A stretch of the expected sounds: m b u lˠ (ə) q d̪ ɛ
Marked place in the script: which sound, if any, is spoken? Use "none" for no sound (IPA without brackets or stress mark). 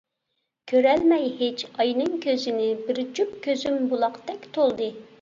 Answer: ɑ